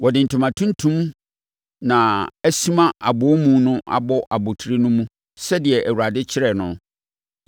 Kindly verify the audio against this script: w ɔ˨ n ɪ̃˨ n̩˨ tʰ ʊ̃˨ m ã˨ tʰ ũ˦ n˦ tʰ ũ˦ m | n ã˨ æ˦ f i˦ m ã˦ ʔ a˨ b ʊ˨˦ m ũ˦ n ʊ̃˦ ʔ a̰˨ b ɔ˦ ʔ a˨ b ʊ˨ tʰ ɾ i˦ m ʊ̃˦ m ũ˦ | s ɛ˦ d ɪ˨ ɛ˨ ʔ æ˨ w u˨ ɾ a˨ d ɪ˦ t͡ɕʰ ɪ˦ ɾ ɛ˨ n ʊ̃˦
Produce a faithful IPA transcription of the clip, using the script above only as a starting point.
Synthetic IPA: w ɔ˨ d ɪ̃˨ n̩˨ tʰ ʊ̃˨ m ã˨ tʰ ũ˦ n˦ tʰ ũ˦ m | n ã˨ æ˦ s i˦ m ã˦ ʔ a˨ b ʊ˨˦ m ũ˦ n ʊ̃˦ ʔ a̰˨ b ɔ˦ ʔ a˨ b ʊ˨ tʰ ɾ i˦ n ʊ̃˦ m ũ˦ | s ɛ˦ d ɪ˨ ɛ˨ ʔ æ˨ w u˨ ɾ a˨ d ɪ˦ t͡ɕʰ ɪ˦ ɾ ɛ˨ n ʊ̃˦